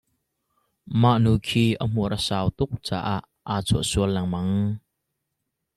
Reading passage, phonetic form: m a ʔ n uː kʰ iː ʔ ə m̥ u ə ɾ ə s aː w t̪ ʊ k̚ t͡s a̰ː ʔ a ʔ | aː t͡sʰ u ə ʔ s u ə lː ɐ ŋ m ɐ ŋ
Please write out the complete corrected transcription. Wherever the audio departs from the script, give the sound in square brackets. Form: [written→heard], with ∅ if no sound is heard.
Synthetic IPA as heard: m a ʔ n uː kʰ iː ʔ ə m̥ u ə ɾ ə s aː w t̪ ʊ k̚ t͡s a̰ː ʔ a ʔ | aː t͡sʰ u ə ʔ s u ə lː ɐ ŋ m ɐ ŋ